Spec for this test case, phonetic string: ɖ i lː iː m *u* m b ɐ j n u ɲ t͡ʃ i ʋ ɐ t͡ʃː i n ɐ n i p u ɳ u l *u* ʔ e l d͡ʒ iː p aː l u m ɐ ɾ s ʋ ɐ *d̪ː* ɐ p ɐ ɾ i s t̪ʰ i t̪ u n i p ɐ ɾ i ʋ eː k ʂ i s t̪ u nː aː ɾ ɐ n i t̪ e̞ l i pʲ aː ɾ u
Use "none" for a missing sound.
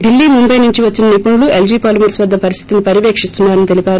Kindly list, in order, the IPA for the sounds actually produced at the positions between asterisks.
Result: u, u, d̪ː

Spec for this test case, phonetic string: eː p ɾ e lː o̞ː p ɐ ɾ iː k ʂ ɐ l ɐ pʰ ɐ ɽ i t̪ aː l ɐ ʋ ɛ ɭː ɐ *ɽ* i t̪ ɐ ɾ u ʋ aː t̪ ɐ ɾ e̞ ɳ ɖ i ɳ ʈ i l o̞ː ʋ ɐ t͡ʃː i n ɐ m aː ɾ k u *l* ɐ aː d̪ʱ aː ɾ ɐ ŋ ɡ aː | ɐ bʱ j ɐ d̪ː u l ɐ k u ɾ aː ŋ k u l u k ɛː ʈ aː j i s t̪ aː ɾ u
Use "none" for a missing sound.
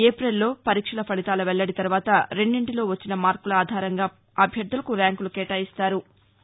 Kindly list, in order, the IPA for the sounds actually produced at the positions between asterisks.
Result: ɽ, l

